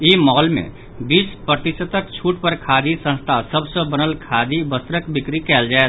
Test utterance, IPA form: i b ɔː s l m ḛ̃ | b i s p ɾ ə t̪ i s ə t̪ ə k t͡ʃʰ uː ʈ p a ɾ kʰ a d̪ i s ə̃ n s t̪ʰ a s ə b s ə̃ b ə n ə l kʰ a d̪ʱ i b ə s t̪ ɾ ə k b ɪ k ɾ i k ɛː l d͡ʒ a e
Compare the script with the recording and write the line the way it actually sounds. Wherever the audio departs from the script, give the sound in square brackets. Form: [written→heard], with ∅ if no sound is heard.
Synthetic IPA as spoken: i [b→m] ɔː [s→∅] l m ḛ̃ | b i s p ɾ ə t̪ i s ə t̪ ə k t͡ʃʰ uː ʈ p [a→ə] ɾ kʰ a d̪ i s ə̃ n s t̪ʰ a s ə b s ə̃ b ə n ə l kʰ a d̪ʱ i b ə s t̪ ɾ ə k b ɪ k ɾ i k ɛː l d͡ʒ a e